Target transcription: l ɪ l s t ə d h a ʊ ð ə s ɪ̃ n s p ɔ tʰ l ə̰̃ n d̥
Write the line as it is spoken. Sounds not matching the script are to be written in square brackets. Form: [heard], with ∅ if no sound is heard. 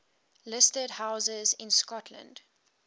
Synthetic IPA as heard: l ɪ [∅] s t ə d h a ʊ [z] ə [z] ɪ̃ n s [k] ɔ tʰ l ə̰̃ n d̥